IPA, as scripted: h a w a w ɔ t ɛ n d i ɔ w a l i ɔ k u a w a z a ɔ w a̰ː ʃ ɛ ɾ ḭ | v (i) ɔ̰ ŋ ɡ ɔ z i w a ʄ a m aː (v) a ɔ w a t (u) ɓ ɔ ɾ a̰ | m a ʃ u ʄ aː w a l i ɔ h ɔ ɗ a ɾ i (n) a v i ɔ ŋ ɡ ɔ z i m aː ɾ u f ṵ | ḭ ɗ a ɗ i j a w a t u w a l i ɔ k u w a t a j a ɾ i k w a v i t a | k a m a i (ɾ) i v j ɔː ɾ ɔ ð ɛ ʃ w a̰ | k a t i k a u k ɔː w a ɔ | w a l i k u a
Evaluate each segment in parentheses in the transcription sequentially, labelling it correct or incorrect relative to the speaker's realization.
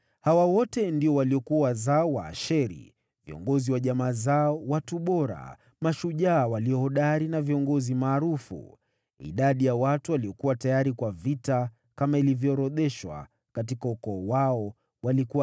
correct, incorrect, correct, correct, incorrect

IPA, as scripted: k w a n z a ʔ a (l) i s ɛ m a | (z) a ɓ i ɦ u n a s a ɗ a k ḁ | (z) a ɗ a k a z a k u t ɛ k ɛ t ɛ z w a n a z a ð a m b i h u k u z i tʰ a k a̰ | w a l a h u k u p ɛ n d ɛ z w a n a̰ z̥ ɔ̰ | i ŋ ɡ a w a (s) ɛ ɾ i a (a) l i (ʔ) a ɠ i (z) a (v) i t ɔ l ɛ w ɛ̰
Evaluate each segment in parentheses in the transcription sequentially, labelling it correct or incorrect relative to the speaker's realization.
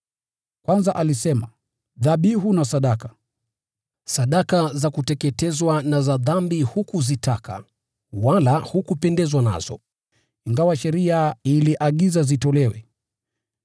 correct, incorrect, incorrect, incorrect, incorrect, correct, correct, incorrect

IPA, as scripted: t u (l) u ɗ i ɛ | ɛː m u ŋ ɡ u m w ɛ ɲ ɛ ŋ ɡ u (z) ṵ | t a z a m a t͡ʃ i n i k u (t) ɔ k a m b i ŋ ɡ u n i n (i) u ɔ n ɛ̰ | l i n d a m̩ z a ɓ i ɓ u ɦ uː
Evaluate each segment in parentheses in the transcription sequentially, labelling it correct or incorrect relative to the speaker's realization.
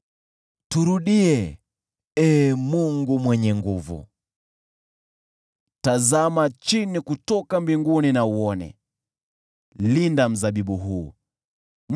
incorrect, incorrect, correct, incorrect

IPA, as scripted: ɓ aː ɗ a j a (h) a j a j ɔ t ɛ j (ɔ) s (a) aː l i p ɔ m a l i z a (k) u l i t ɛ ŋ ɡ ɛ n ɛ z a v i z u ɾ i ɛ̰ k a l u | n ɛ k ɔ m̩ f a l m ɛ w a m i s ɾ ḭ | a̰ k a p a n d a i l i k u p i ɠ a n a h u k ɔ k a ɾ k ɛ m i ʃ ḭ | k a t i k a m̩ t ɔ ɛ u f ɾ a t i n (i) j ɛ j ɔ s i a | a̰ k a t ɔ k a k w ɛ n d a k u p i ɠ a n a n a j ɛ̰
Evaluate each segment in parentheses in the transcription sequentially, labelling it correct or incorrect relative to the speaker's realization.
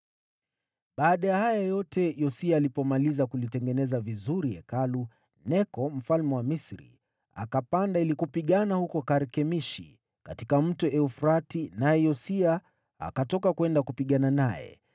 correct, correct, incorrect, correct, incorrect

